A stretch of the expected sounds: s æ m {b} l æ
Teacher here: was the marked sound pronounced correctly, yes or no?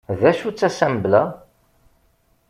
yes